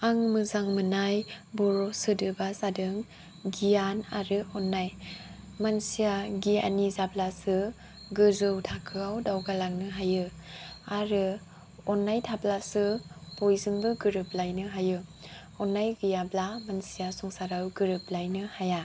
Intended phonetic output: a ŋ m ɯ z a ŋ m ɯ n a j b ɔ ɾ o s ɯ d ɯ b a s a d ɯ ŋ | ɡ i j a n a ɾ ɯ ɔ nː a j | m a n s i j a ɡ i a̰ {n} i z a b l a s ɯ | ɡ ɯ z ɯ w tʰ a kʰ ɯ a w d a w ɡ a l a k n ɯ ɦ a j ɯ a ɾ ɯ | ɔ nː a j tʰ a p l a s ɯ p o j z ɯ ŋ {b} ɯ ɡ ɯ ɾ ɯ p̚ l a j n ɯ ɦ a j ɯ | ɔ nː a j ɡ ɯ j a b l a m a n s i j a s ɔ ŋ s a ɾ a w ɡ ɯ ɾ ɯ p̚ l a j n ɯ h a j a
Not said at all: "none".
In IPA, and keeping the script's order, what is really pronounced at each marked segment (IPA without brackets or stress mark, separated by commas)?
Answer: n, b